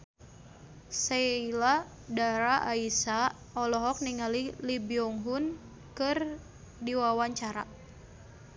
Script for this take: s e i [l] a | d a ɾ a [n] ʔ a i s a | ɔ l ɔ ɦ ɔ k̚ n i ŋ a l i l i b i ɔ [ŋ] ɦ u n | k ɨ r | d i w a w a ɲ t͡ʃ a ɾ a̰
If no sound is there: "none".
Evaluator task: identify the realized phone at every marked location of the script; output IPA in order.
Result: l, none, ŋ

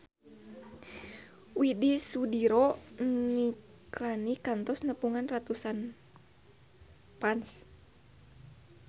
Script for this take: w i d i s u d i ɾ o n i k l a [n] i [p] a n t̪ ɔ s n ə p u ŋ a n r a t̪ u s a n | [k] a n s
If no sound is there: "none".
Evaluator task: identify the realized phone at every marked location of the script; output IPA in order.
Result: n, k, p

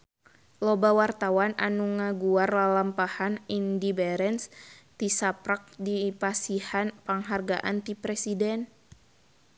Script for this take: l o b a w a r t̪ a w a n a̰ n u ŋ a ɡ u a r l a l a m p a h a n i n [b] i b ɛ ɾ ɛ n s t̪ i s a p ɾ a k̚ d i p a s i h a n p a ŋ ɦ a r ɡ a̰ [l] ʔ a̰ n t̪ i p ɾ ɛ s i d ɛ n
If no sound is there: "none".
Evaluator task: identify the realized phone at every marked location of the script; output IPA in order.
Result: d, none

